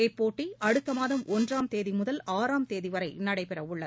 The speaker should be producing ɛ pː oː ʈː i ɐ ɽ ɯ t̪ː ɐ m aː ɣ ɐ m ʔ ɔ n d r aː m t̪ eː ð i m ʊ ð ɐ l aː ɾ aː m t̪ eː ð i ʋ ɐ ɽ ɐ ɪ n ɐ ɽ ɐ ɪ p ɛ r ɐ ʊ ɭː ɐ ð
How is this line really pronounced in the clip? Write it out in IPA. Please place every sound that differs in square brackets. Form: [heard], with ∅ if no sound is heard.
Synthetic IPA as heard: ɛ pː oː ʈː i ɐ ɽ ɯ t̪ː ɐ m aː [ð] ɐ m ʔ ɔ n d r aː m t̪ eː ð i m ʊ ð ɐ l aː ɾ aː m t̪ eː ð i ʋ ɐ [ɾ] ɐ ɪ n ɐ ɽ ɐ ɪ p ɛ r ɐ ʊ ɭː ɐ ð